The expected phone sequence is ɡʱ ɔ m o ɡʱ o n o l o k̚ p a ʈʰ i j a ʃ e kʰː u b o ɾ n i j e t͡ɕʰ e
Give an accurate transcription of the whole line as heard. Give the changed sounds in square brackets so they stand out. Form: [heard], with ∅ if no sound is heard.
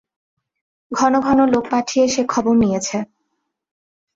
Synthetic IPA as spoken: ɡʱ ɔ [n] o ɡʱ [ɔ] n o l o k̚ p a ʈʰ i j [e] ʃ e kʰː [ɔ] b o ɾ n i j e t͡ɕʰ e